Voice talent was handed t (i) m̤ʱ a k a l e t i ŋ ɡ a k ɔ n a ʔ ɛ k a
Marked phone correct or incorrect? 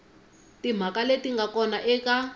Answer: correct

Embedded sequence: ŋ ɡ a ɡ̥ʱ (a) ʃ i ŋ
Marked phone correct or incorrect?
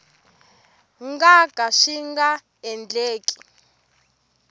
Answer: correct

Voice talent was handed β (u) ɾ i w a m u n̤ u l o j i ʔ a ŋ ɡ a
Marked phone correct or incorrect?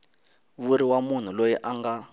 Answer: correct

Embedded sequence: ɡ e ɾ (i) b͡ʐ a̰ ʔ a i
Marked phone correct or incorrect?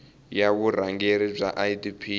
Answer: correct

